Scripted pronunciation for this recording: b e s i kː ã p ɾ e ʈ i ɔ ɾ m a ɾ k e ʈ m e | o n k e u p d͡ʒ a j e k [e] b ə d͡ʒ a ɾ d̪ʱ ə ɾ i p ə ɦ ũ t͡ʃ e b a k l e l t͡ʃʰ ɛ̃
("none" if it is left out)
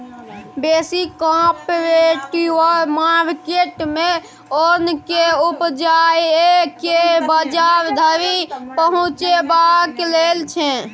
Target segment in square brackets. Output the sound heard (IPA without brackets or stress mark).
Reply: e